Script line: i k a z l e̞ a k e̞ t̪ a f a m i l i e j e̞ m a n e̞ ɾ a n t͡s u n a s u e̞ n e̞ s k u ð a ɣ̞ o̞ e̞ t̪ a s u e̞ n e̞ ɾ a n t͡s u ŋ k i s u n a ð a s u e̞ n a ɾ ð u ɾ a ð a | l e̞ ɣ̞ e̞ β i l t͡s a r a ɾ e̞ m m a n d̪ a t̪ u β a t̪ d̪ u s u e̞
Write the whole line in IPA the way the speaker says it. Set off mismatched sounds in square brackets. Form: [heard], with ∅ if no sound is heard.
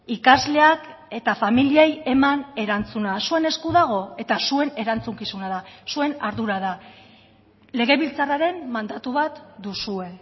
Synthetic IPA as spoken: i k a z l e̞ a k e̞ t̪ a f a m i l i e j e̞ m a n e̞ ɾ a n t͡s u n a s u e̞ n e̞ s k u ð a ɣ̞ o̞ e̞ t̪ a s u e̞ n e̞ ɾ a n t͡s u ŋ k i s u n a ð a s u e̞ n a ɾ ð u ɾ a ð a | l e̞ ɣ̞ e̞ β i l t͡s a r a ɾ e̞ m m a n d̪ a t̪ u β a t̪ d̪ u s u e̞

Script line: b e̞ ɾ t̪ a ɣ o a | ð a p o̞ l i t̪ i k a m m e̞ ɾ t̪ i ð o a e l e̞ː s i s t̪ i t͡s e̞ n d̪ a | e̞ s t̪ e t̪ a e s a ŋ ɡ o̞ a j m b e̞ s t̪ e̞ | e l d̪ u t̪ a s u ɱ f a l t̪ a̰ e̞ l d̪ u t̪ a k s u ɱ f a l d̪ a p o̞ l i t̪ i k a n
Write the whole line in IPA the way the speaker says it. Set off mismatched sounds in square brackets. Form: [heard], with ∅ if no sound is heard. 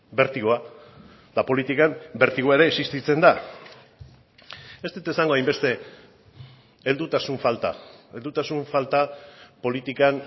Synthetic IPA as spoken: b e̞ ɾ t̪ [i] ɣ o a | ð a p o̞ l i t̪ i k a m [b] e̞ ɾ t̪ i [ɣ] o a e [ɾ] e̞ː s i s t̪ i t͡s e̞ n d̪ a | e̞ s t̪ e t̪ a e s a ŋ ɡ o̞ a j m b e̞ s t̪ e̞ | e l d̪ u t̪ a s u ɱ f a l t̪ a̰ e̞ l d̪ u t̪ a [∅] s u ɱ f a l [t̪] a p o̞ l i t̪ i k a n

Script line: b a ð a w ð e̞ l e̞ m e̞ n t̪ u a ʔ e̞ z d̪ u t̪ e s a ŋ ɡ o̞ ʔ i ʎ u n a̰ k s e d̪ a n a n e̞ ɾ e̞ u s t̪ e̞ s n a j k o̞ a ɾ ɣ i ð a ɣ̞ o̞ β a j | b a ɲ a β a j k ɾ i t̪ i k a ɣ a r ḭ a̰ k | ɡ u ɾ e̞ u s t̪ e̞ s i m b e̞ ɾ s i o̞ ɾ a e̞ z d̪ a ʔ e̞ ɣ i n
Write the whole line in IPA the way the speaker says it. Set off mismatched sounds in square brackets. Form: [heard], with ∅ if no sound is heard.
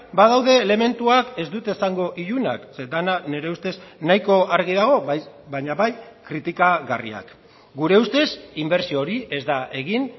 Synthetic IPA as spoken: b a ð a w ð e̞ l e̞ m e̞ n t̪ u a [k] e̞ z d̪ u t̪ e s a ŋ ɡ o̞ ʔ i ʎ u n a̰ k s e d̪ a n a n e̞ ɾ e̞ u s t̪ e̞ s n a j k o̞ a ɾ ɣ i ð a ɣ̞ o̞ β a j | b a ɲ a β a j k ɾ i t̪ i k a ɣ a r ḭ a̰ k | ɡ u ɾ e̞ u s t̪ e̞ s i m b e̞ ɾ s i o̞ ɾ [i] e̞ z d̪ a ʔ e̞ ɣ i n

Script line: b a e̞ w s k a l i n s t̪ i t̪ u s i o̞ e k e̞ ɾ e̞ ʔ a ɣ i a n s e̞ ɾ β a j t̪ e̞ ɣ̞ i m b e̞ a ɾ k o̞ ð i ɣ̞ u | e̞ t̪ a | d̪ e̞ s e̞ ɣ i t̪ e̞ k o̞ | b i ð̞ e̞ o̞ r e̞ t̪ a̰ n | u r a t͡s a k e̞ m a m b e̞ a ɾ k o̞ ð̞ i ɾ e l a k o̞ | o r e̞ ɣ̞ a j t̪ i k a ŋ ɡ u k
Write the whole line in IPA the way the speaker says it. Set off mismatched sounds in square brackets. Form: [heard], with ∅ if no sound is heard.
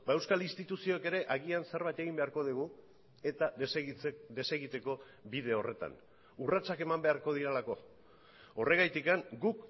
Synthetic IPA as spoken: b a e̞ w s k a l i n s t̪ i t̪ u s i o̞ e k e̞ ɾ e̞ ʔ a ɣ i a n s e̞ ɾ β a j t̪ e̞ ɣ̞ i m b e̞ a ɾ k o̞ ð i ɣ̞ u | e̞ t̪ a | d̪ e̞ s e̞ ɣ i t̪ e̞ k o̞ | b i ð̞ e̞ o̞ r e̞ t̪ a̰ n | u r a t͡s a k e̞ m a m b e̞ a ɾ k o̞ ð̞ i ɾ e l a k o̞ | o r e̞ ɣ̞ a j t̪ i k a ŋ ɡ u k

